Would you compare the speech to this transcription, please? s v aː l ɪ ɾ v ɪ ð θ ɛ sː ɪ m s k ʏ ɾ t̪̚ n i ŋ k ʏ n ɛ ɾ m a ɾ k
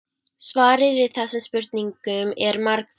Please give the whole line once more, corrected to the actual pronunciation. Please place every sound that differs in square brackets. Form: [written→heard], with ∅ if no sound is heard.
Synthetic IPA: s v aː [l→ɾ] ɪ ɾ v ɪ ð θ ɛ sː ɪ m s [k→p] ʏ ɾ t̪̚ n i ŋ k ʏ [n→m] ɛ ɾ m a ɾ k